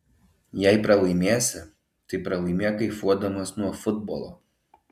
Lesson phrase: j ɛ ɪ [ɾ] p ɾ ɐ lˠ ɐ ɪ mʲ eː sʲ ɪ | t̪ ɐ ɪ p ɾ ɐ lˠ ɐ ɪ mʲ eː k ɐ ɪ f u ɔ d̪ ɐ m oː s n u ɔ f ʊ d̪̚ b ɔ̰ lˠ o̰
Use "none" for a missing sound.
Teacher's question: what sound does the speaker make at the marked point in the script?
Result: none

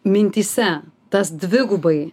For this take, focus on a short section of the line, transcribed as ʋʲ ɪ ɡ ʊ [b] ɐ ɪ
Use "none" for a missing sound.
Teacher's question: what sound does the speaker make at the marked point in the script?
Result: b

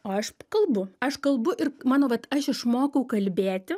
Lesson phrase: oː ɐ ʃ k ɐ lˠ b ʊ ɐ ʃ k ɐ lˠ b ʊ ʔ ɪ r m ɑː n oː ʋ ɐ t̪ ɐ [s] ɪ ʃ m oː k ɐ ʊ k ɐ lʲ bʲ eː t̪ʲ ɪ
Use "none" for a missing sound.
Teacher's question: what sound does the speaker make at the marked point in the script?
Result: ʃ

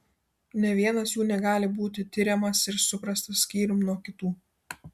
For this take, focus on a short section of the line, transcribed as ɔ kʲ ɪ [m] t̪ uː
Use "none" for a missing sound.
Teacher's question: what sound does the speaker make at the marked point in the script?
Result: none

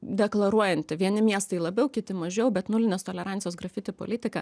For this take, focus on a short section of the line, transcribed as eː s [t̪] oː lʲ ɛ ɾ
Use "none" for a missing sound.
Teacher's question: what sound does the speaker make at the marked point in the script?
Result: t̪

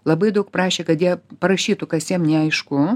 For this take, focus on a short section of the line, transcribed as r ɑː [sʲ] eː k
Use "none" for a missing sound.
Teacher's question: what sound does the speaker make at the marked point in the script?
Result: ʃʲ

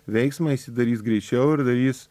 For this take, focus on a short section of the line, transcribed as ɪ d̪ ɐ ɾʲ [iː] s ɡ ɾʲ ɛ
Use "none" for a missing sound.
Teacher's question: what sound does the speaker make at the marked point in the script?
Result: iː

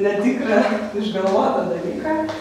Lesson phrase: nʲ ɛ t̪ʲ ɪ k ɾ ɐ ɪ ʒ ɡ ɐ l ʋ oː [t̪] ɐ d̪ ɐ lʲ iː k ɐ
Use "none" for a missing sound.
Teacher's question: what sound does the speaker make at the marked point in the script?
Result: t̪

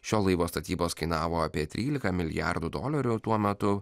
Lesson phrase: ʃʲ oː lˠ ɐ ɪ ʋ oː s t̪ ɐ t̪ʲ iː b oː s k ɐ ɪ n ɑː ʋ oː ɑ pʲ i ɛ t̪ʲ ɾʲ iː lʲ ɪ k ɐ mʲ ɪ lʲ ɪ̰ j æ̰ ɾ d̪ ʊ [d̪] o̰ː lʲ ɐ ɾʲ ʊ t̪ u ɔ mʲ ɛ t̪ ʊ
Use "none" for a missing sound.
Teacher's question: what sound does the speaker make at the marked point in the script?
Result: d̪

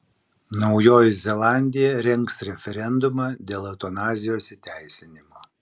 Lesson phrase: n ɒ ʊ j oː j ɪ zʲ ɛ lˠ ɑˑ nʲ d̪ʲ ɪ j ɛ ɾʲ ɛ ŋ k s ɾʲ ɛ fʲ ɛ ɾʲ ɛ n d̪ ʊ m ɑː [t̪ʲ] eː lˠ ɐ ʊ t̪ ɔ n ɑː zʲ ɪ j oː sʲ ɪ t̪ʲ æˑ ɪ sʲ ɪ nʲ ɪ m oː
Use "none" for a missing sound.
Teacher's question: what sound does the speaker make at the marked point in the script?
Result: d̪ʲ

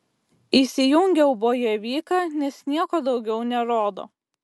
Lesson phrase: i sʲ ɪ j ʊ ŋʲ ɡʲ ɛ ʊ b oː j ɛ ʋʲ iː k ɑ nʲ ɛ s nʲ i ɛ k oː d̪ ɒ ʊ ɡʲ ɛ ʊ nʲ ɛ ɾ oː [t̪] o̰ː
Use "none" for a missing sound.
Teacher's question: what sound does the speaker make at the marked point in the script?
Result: d̪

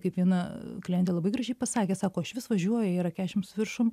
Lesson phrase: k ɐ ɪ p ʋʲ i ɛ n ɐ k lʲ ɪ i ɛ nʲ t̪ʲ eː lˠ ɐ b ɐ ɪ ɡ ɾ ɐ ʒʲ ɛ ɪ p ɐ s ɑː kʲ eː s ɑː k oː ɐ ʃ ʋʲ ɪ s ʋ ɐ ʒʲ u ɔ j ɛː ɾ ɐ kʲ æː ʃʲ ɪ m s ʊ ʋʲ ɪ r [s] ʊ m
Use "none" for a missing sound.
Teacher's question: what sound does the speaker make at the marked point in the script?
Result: ʃ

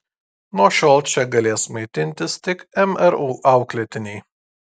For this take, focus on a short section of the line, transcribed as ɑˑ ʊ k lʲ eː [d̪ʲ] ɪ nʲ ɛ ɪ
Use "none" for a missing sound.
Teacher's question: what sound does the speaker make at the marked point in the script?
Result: t̪ʲ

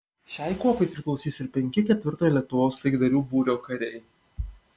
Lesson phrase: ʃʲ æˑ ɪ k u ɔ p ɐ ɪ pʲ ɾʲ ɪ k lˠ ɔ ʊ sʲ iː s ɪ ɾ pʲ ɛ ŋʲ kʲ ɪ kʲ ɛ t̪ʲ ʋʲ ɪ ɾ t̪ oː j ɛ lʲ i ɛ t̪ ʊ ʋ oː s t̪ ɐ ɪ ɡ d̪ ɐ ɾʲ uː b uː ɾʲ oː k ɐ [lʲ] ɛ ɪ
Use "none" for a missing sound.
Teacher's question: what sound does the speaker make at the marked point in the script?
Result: ɾʲ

